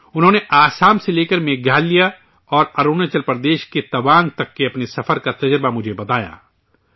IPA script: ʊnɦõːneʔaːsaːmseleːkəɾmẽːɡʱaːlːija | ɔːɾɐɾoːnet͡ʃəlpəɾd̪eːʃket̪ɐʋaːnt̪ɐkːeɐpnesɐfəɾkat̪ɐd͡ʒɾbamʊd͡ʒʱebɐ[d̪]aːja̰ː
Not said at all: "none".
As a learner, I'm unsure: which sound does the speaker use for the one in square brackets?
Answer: t̪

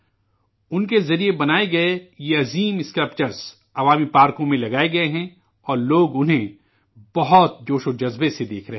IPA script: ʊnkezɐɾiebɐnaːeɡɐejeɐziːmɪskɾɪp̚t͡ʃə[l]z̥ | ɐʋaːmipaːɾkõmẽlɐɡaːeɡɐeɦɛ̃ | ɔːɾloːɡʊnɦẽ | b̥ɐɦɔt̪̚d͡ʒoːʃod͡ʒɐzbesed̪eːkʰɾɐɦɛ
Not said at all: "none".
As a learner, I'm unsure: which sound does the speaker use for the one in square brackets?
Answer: ɾ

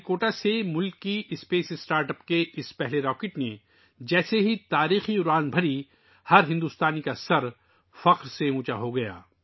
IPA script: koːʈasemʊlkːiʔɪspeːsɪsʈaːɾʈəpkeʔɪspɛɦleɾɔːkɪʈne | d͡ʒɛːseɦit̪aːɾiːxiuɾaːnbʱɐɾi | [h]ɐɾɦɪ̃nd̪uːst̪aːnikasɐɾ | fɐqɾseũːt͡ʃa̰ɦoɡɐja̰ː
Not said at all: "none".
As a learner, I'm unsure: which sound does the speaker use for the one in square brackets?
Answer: h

